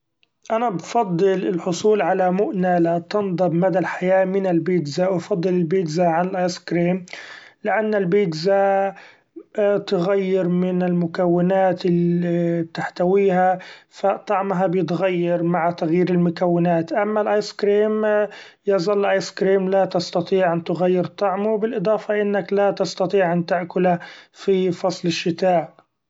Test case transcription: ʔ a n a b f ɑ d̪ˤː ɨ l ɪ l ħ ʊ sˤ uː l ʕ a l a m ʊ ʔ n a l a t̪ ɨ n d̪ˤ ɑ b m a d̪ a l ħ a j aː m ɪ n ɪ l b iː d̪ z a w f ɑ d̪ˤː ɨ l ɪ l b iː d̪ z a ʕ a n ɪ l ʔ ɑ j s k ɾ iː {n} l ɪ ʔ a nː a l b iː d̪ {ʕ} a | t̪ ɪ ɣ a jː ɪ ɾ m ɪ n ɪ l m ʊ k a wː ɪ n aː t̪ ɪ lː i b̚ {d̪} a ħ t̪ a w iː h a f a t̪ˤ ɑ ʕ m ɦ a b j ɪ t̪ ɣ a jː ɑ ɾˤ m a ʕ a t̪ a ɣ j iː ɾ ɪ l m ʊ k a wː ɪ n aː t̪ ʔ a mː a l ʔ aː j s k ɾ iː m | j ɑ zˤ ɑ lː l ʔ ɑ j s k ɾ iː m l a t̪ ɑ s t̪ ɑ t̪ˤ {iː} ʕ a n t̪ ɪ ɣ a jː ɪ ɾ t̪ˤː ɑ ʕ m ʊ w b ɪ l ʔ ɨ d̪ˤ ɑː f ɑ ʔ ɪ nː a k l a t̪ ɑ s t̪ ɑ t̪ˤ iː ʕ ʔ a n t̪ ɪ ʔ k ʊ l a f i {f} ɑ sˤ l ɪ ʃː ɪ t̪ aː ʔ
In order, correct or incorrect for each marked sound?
incorrect: m, incorrect: z, incorrect: t̪, correct, correct

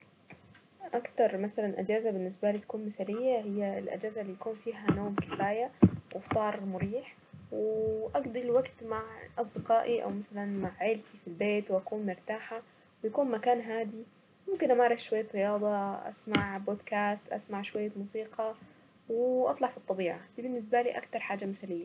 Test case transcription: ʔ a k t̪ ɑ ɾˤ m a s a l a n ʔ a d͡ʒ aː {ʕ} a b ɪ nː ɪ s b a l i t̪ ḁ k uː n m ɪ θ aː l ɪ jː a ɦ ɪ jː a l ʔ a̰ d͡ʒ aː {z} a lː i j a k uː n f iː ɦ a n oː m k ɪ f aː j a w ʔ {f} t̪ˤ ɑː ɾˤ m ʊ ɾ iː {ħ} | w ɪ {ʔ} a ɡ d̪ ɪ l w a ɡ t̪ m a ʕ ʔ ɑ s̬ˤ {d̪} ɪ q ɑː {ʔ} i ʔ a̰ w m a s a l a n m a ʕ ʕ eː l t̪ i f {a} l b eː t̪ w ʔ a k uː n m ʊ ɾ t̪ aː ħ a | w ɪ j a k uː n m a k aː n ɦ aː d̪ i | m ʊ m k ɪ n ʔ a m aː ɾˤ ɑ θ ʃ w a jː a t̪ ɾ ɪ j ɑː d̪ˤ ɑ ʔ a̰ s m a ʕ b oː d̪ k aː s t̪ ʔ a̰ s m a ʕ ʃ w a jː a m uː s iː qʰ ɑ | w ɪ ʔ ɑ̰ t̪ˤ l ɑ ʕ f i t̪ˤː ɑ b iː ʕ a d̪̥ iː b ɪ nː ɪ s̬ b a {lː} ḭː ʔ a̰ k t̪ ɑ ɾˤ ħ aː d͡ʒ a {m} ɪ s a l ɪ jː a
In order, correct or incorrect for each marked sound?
incorrect: z, correct, correct, correct, correct, correct, correct, incorrect: i, incorrect: l, correct

